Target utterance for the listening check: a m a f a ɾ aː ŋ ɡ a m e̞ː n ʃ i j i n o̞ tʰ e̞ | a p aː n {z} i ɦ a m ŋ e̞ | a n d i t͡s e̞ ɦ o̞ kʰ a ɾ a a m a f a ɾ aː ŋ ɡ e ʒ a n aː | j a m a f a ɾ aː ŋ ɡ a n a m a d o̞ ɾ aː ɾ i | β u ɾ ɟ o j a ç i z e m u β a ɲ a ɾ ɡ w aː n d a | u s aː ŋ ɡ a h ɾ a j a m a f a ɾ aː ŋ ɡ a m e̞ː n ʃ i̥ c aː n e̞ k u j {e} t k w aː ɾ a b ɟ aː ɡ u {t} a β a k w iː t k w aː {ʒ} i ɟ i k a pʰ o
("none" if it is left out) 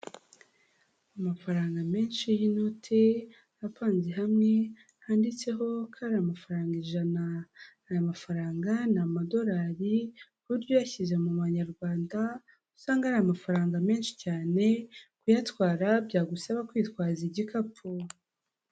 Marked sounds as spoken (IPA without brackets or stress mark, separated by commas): z, a, s, z